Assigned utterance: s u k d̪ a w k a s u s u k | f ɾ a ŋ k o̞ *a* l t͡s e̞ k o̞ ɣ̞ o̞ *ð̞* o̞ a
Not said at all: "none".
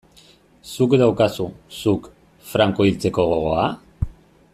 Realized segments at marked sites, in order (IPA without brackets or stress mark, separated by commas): i, ɣ̞